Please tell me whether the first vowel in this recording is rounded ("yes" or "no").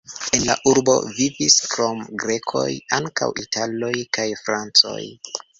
no